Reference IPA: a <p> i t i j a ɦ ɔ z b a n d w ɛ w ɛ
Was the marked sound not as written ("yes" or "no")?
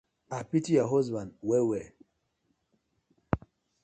no